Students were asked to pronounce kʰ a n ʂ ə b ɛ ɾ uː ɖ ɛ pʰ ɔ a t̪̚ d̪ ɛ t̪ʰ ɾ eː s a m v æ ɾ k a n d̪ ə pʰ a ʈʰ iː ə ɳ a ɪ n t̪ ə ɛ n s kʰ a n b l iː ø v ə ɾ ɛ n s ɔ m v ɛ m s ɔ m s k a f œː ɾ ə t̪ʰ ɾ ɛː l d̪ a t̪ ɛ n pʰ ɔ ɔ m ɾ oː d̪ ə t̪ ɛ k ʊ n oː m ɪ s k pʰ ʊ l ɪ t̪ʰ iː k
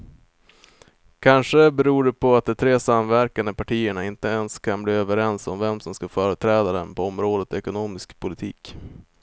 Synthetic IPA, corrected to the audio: kʰ a n ʂ ə b ɛ ɾ uː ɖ ɛ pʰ ɔ a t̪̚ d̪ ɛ t̪ʰ ɾ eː s a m v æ ɾ k a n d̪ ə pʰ a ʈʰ iː ə ɳ a ɪ n t̪ ə ɛ n s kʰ a n b l iː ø v ə ɾ ɛ n s ɔ m v ɛ m s ɔ m s k a f œː ɾ ə t̪ʰ ɾ ɛː d̪ a d̪ ɛ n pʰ ɔ ɔ m ɾ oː d̪ ə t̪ ɛ k ʊ n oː m ɪ s k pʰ ʊ l ɪ t̪ʰ iː k

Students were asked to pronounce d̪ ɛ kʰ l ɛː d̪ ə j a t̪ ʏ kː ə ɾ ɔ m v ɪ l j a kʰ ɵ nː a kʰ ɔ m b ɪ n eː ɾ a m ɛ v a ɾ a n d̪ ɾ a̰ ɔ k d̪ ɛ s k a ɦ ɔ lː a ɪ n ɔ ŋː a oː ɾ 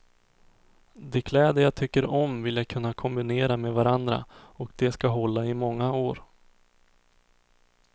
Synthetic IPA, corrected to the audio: d̪ ɛ kʰ l ɛː d̪ ə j a t̪ʰ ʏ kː ə ɾ ɔ m v ɪ l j a kʰ ɵ nː a kʰ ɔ m b ɪ n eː ɾ a m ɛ v a ɾ a n d̪ ɾ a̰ ɔ k d̪ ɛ s k a ɦ ɔ lː a ɪ m ɔ ŋː a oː ɾ

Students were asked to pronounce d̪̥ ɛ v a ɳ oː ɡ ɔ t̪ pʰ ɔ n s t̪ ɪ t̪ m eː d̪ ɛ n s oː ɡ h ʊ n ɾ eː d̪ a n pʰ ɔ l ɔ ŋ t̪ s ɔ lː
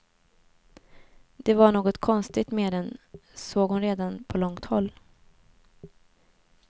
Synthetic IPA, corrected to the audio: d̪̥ ɛ v a ɳ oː ɡ ɔ t̪ kʰ ɔ n s t̪ ɪ t̪ m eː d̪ ɛ n s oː ɡ h ʊ n ɾ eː d̪ a n pʰ ɔ l ɔ ŋ t̪ h ɔ lː

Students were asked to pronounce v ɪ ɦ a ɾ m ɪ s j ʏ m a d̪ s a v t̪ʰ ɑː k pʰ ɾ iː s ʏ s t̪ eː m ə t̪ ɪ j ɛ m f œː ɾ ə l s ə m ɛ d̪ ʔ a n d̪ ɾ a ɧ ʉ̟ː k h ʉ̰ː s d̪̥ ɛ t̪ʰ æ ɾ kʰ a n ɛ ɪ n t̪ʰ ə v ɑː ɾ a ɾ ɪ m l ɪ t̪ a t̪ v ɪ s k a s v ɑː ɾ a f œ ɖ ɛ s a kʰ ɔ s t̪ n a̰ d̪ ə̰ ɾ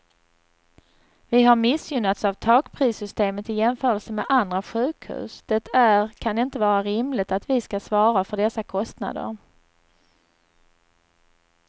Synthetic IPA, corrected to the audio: v ɪ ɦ a ɾ m ɪ s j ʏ n a t̪ s a v t̪ʰ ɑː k pʰ ɾ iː s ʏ s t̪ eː m ə t̪ ɪ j ɛ m f œː ɾ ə l s ə m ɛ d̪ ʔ a n d̪ ɾ a ɧ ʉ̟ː k h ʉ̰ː s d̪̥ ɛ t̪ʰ æ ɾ kʰ a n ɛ ɪ n t̪ ə v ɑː ɾ a ɾ ɪ m l ɪ t̪ a t̪ v ɪ s k a s v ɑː ɾ a f œ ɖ ɛ s a kʰ ɔ s t̪ n a̰ d̪ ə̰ ɾ

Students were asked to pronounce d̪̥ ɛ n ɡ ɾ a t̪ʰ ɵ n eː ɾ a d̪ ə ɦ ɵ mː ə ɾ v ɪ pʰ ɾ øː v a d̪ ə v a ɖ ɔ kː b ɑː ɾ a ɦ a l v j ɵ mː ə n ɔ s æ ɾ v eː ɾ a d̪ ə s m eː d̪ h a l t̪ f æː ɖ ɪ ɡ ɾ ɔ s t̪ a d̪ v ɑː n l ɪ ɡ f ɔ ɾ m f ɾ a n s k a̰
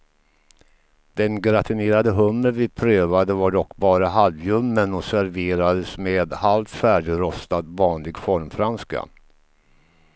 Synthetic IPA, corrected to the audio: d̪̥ ɛ n ɡ ɾ a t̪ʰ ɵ n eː ɾ a d̪ ə ɦ ɵ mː ə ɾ v ɪ pʰ ɾ øː v a d̪ ə v a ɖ ɔ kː b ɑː ɾ a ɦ a l v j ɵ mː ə n ɔ s æ ɾ v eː ɾ a d̪ ə s m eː d̪ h a l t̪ f æː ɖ ɪ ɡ ɾ ɔ s t̪ a d̪ v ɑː n l ɪ ɡ f ɔ ɾ m f ɾ a n s k a̰

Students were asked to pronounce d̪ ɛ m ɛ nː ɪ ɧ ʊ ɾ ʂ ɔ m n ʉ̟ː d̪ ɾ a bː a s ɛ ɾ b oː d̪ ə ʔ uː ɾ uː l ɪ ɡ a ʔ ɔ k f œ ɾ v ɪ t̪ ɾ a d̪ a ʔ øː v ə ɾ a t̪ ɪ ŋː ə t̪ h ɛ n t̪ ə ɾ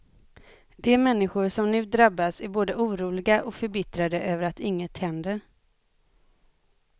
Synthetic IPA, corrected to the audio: d̪ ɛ m ɛ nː ɪ ɧ ʊ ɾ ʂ ɔ m n ʉ̟ː d̪ ɾ a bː a s æ ɾ b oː d̪ ə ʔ uː ɾ uː l ɪ ɡ a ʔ ɔ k f œ ɾ b ɪ t̪ ɾ a d̪ ə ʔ øː v ə ɾ a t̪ ɪ ŋː ə t̪ h ɛ n d̪ ə ɾ

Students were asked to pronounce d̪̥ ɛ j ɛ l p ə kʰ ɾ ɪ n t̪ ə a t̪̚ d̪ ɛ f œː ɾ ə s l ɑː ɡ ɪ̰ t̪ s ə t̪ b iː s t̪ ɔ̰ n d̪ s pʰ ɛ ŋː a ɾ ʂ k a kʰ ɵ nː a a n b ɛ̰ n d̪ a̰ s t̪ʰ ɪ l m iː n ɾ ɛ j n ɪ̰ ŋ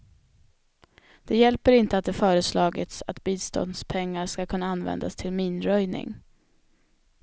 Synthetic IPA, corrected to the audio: d̪̥ ɛ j ɛ l p ə ɾ ɪ n t̪ ə a t̪̚ d̪ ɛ f œː ɾ ə s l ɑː ɡ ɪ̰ t̪ s a t̪ b iː s t̪ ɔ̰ n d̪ s pʰ ɛ ŋː a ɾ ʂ k a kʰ ɵ nː a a n v ɛ̰ n d̪ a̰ s t̪ʰ ɪ l m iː n ɾ œ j n ɪ̰ ŋ

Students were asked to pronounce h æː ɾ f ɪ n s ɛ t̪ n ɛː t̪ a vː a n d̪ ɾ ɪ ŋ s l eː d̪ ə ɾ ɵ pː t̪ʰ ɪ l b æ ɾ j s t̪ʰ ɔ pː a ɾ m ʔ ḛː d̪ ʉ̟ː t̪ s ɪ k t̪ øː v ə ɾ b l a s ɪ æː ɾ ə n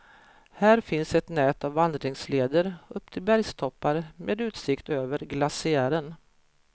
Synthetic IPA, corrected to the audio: h æː ɾ f ɪ n s ɛ t̪ n ɛː t̪ a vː a n d̪ ɾ ɪ ŋ s l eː d̪ ə ɾ ɵ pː t̪ʰ ɪ l b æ ɾ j s t̪ʰ ɔ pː a ɾ m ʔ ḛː d̪ ʉ̟ː t̪ s ɪ k t̪ øː v ə ɾ ɡ l a s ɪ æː ɾ ə n

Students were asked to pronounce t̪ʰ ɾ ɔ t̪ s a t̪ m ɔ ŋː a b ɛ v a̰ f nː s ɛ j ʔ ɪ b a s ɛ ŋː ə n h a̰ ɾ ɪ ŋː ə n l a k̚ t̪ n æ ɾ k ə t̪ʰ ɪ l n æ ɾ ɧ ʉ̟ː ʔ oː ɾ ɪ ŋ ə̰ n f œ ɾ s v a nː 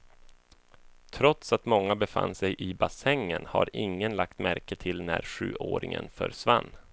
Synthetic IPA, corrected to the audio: t̪ʰ ɾ ɔ t̪ s a t̪ m ɔ ŋː a b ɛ f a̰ nː s ɛ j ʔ ɪ b a s ɛ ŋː ə n h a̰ ɾ ɪ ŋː ə n l a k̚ t̪ m æ ɾ k ə t̪ʰ ɪ l n æ ɾ ɧ ʉ̟ː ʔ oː ɾ ɪ ŋ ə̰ n f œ ɾ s v a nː

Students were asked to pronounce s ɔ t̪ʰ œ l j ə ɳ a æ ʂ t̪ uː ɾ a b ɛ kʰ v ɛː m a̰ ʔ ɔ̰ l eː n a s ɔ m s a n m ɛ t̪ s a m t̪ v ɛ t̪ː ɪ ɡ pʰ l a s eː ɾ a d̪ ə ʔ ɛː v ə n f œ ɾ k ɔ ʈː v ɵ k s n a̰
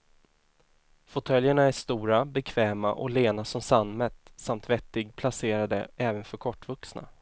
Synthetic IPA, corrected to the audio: f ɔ t̪ʰ œ l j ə ɳ a æ ʂ t̪ uː ɾ a b ɛ kʰ v ɛː m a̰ ʔ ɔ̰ l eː n a s ɔ m s a n m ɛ t̪ s a m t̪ v ɛ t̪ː ɪ ɡ pʰ l a s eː ɾ a d̪ ə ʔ ɛː v ə n f œ ɾ kʰ ɔ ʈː v ɵ k s n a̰

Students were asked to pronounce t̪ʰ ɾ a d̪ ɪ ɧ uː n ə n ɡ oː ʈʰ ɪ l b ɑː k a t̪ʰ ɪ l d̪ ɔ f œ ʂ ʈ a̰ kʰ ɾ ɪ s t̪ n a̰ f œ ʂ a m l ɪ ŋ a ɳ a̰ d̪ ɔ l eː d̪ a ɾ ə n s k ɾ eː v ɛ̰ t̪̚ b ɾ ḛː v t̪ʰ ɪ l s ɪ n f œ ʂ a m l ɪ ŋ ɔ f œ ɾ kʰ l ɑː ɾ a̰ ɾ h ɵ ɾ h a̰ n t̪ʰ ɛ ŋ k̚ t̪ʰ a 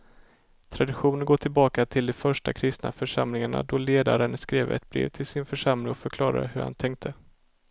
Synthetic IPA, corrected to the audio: t̪ʰ ɾ a d̪ ɪ ɧ uː n ə n ɡ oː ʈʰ ɪ l b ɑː k a t̪ʰ ɪ l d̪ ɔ f œ ʂ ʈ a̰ kʰ ɾ ɪ s t̪ n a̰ f œ ʂ a m l ɪ ŋ a ɳ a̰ d̪ ɔ l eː d̪ a ɾ ə n s k ɾ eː v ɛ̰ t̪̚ b ɾ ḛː v t̪ʰ ɪ l s ɪ n f œ ʂ a m l ɪ ŋ ɔ f œ ɾ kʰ l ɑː ɾ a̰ ɾ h ɵ ɾ h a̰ n t̪ʰ ɛ ŋ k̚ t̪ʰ ə

